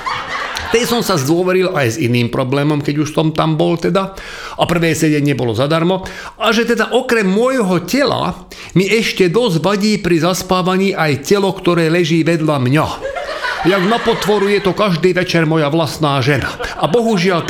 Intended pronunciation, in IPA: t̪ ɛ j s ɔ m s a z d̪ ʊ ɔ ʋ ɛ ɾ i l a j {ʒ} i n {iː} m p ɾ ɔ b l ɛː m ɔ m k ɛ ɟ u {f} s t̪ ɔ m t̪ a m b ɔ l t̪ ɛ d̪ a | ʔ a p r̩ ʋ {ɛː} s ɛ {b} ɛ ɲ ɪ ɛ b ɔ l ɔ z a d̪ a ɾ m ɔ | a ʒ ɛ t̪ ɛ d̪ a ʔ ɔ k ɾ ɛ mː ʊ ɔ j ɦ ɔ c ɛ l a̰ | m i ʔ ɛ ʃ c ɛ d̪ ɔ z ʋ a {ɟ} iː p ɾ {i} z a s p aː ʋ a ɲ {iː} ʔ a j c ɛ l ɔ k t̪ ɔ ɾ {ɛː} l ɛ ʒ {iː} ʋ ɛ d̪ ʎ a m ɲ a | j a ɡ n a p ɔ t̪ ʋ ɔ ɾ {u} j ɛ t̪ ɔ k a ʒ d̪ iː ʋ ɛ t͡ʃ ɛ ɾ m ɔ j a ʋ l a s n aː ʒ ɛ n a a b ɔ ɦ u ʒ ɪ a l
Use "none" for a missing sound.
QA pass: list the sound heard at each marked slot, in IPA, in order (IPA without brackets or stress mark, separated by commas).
z, iː, ʃ, ɛː, ɟ, ɟ, i, iː, ɛː, iː, u